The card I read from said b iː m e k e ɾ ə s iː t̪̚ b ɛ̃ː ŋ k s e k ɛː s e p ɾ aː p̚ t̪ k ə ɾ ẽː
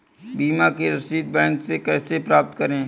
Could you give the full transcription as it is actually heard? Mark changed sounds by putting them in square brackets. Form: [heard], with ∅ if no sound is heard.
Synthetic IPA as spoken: b iː m [a] k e ɾ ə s iː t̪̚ b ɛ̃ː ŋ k s e k ɛː s e p ɾ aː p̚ t̪ k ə ɾ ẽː